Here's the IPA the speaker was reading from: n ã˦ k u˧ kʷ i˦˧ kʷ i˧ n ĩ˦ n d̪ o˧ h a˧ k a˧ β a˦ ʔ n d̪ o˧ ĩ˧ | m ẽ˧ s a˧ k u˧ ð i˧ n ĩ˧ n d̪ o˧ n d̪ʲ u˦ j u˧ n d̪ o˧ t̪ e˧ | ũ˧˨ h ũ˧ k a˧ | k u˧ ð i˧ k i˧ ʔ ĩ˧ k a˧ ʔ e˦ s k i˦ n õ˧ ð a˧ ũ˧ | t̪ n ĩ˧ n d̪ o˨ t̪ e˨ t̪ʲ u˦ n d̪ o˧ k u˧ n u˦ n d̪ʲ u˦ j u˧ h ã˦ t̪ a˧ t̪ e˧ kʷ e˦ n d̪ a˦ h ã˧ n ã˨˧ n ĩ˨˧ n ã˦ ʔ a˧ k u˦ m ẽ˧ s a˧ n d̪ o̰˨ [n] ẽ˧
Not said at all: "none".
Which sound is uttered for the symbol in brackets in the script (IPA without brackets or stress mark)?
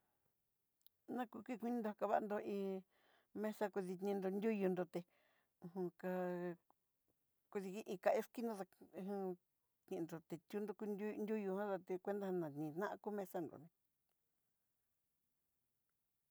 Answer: n